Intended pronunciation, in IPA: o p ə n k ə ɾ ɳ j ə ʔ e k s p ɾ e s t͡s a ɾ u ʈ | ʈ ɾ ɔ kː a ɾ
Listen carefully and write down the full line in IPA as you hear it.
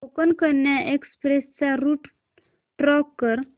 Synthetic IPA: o k ə n k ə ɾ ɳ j a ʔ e k s p ɾ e s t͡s a ɾ u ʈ | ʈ ɾ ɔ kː ə ɾ